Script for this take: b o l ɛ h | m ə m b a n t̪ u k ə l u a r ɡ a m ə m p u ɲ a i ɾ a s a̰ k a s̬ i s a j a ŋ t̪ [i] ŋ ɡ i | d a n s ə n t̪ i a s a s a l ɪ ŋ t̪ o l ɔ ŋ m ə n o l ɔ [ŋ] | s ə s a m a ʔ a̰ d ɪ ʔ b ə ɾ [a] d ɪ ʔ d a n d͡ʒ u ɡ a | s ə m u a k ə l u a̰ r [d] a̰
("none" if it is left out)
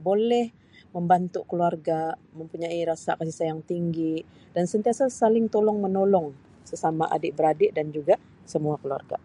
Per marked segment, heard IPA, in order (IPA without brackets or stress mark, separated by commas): i, ŋ, a, ɡ